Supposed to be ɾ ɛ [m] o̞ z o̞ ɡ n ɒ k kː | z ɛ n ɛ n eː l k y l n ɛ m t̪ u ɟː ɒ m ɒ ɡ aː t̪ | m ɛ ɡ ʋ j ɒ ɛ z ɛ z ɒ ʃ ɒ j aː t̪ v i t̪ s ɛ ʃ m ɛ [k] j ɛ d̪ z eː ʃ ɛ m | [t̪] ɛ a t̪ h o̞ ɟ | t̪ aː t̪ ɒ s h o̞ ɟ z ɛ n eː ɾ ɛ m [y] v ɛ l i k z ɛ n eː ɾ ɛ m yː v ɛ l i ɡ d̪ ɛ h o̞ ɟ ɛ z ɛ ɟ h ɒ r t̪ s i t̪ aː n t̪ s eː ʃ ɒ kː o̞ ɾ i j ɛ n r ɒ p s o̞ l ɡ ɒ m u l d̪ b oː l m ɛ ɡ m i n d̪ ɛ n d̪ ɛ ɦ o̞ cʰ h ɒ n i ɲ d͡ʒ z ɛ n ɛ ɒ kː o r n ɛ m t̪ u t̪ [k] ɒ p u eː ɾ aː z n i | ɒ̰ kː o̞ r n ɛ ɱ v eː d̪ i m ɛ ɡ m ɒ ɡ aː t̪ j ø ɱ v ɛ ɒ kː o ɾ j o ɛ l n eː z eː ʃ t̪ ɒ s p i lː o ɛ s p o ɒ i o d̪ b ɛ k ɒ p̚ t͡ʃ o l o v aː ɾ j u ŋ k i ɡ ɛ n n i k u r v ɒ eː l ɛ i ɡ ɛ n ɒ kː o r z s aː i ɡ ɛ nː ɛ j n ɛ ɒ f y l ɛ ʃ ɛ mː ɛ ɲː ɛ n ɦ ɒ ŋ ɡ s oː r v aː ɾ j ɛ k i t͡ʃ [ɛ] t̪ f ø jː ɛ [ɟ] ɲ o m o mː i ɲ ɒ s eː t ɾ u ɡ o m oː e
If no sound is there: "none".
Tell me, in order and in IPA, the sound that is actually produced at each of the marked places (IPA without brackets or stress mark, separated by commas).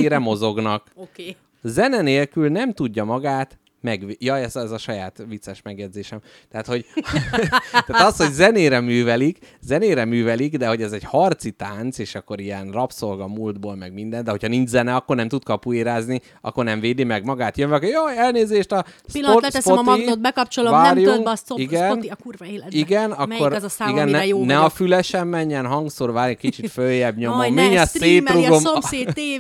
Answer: m, ɡ, t̪, yː, k, i, b